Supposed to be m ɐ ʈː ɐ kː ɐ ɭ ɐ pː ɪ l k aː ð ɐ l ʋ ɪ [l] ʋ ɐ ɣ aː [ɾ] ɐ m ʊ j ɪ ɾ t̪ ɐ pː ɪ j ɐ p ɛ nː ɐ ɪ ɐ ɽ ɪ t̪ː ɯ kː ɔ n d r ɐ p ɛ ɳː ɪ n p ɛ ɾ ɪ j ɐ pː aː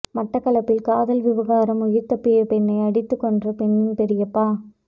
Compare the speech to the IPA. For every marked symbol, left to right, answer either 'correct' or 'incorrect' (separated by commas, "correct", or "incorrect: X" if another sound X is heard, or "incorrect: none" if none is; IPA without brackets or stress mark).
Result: incorrect: none, correct